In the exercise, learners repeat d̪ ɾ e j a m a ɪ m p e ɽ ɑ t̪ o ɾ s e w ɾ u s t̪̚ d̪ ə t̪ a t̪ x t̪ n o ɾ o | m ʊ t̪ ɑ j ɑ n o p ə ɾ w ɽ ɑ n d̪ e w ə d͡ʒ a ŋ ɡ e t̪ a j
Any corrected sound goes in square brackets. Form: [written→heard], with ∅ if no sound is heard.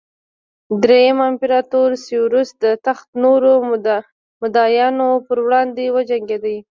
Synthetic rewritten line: d̪ ɾ e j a m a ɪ m p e [ɽ→ɾ] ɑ t̪ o ɾ s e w ɾ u s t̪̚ d̪ ə t̪ a [t̪→∅] x t̪ n o ɾ o | m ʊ [t̪→d̪] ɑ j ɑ n o p ə ɾ w ɽ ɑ n d̪ e w ə d͡ʒ a ŋ ɡ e [t̪→d̪] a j